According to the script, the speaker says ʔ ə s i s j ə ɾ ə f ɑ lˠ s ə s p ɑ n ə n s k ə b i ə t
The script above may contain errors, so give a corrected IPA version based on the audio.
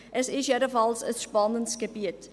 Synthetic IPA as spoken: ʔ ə s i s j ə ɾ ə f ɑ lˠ s ə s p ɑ n ə n s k ə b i ə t